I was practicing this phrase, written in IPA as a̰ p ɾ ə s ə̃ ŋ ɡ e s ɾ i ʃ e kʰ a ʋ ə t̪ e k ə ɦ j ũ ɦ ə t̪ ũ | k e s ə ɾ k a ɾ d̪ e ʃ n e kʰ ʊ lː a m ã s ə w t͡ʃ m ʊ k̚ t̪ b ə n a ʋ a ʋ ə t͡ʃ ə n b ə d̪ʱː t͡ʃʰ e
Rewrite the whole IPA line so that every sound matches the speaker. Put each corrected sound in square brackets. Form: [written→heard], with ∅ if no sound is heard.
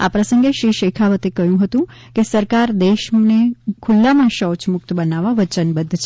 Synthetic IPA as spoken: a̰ p ɾ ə s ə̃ ŋ ɡ e [s→ʃ] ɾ i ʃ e kʰ a ʋ ə t̪ e k ə ɦ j ũ ɦ ə t̪ ũ | k e s ə ɾ k a ɾ d̪ e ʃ n e kʰ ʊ lː a m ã [s→ʃ] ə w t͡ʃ m ʊ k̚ t̪ b ə n a ʋ a ʋ ə t͡ʃ ə n b ə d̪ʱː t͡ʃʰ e